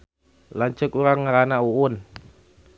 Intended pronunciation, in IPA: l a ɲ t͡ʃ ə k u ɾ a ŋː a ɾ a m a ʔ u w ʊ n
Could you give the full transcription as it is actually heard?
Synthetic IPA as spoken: l a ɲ t͡ʃ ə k u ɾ a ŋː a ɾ a n a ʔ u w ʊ n